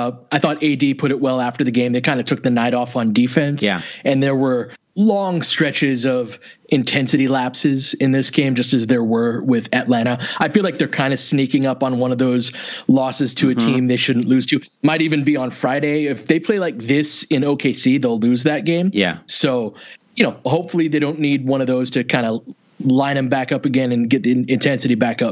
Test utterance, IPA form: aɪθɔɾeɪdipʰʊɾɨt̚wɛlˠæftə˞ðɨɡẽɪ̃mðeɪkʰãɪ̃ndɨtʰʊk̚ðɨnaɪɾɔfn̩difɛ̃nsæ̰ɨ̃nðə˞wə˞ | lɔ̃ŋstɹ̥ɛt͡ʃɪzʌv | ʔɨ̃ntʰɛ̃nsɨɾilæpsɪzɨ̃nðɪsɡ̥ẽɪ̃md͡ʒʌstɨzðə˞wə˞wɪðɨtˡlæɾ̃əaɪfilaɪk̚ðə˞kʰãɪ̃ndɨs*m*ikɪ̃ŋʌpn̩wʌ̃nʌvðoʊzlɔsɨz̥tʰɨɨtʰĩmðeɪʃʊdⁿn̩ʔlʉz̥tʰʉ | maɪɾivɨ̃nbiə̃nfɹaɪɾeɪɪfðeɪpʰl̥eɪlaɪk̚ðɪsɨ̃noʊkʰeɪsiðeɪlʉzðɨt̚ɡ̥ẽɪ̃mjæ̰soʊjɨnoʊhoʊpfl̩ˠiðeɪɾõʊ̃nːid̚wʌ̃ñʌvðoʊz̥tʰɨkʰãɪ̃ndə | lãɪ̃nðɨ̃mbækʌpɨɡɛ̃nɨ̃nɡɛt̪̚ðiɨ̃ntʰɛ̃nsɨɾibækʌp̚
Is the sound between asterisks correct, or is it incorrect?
incorrect